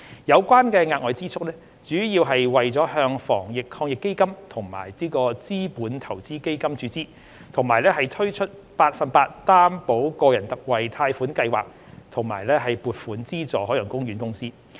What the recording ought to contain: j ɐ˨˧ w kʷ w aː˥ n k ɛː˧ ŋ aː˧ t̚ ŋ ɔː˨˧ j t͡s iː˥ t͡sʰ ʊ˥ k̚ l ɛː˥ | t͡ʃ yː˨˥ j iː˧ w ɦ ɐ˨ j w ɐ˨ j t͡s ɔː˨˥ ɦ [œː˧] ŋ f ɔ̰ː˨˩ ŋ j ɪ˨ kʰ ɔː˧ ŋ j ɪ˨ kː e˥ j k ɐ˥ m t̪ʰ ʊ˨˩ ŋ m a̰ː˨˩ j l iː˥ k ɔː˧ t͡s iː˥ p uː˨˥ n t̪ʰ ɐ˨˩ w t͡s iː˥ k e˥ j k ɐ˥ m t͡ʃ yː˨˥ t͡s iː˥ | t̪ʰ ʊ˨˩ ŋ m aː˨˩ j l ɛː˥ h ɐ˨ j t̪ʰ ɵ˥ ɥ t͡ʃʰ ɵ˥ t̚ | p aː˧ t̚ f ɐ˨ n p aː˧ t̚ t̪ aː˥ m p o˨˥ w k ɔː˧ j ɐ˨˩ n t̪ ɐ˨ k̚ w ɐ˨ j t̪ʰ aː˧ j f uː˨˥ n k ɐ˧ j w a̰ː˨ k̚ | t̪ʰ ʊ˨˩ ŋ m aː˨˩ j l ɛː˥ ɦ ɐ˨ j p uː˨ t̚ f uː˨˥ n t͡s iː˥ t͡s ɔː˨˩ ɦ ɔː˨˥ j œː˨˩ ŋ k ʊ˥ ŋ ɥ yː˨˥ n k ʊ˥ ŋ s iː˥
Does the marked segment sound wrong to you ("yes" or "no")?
no